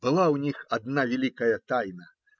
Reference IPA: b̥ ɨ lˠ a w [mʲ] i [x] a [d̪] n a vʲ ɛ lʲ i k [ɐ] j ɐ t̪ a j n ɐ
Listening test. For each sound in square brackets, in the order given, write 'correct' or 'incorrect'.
incorrect, correct, correct, correct

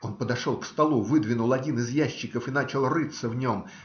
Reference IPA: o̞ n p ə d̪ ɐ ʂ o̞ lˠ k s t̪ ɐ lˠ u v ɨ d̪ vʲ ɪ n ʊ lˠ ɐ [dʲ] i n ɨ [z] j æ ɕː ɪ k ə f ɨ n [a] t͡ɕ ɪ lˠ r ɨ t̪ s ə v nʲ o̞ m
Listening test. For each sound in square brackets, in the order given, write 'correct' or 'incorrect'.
correct, correct, correct

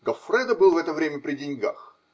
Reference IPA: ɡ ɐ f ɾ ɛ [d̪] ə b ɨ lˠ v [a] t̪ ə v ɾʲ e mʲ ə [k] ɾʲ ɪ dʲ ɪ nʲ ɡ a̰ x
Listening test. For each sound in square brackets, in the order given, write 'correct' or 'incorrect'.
correct, incorrect, incorrect

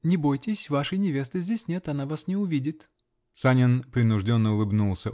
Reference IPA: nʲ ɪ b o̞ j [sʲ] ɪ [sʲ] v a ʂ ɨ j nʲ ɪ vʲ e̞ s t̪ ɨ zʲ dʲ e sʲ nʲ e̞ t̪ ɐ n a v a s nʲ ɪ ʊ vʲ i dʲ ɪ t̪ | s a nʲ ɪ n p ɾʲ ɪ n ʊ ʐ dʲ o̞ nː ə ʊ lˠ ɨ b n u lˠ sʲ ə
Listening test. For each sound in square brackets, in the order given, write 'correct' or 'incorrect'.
incorrect, correct

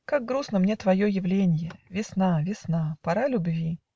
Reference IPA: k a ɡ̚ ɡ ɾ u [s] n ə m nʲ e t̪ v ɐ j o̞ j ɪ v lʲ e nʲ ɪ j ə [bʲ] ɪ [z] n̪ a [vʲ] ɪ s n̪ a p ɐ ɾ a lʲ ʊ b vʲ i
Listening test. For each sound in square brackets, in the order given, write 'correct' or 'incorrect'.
correct, incorrect, incorrect, correct

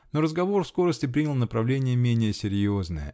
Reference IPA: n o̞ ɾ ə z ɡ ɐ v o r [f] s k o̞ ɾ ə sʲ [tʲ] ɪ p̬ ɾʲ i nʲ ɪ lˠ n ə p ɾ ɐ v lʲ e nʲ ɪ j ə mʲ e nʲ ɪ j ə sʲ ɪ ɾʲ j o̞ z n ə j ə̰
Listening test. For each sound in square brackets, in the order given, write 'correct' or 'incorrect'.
correct, correct

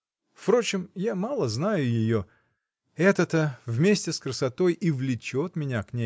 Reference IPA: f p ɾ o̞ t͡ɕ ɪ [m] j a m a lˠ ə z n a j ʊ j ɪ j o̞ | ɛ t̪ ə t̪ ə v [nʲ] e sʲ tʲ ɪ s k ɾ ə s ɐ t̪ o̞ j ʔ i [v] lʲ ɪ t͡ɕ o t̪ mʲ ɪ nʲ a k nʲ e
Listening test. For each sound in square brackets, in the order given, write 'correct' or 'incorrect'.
correct, incorrect, correct

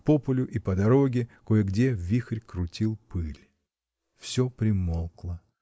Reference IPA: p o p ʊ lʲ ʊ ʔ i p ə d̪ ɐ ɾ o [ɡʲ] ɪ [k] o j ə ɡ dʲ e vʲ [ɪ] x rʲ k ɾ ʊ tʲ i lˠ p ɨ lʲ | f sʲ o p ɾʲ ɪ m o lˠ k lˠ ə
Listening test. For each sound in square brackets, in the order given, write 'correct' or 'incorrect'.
correct, correct, incorrect

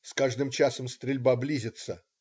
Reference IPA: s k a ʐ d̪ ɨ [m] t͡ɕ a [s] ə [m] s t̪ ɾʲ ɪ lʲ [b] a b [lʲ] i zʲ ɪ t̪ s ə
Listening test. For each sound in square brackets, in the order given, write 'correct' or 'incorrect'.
correct, correct, correct, correct, correct

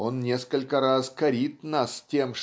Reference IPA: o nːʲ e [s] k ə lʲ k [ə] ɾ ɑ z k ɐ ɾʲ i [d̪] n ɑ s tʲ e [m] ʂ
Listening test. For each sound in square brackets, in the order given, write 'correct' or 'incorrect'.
correct, correct, incorrect, correct

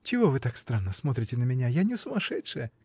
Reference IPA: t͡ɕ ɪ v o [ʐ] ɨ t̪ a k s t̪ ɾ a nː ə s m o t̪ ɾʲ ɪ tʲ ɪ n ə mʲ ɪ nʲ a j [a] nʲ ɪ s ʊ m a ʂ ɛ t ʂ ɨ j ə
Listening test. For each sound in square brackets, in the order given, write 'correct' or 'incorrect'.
incorrect, correct

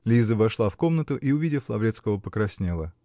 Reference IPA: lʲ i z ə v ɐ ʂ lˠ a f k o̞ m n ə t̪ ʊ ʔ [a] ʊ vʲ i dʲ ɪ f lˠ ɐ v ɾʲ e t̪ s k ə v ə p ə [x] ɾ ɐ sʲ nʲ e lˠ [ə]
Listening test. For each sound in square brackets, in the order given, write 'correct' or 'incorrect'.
incorrect, incorrect, correct

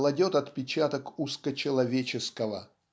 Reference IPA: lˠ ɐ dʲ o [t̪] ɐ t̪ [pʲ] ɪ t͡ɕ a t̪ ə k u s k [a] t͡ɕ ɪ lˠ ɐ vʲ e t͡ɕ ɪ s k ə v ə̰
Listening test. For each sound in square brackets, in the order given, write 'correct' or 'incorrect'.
correct, correct, incorrect

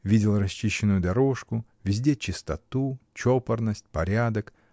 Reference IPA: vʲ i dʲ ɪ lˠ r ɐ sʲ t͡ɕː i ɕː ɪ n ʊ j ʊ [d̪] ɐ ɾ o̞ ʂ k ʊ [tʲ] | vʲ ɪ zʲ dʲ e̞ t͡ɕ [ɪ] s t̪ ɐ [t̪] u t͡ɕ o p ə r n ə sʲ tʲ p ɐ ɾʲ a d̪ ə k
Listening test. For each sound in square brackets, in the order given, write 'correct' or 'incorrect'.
correct, incorrect, correct, correct

